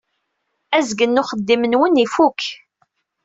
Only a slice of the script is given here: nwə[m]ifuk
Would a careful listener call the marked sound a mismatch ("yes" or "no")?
yes